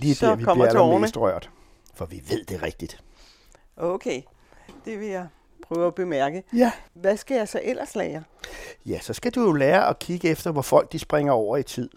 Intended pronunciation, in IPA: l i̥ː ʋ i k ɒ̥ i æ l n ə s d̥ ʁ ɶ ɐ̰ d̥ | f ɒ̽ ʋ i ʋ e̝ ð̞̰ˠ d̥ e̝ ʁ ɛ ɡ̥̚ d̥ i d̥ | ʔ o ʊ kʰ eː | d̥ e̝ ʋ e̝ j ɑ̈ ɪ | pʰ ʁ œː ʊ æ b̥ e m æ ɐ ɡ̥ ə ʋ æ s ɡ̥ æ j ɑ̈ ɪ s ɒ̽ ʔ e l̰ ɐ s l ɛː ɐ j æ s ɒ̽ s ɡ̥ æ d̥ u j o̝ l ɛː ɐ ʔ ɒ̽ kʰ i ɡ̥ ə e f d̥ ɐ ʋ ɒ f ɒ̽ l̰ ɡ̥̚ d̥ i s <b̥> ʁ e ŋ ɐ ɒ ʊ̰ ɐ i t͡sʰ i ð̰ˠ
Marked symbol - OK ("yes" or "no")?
yes